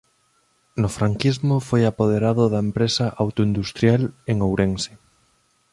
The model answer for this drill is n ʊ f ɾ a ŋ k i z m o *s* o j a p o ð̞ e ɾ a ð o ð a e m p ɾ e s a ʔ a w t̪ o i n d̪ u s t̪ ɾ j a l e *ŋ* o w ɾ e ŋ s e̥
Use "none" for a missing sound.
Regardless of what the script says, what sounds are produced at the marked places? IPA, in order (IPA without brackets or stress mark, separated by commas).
f, ŋ